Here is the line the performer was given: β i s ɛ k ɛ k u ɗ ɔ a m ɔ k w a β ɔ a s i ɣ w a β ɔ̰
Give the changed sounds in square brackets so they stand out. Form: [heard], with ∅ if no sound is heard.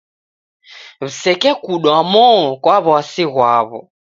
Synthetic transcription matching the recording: β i s ɛ k ɛ k u ɗ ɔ a m ɔ k w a β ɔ a s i ɣ w a β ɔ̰